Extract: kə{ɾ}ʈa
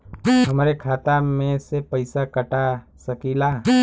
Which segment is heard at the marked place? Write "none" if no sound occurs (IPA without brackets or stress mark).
none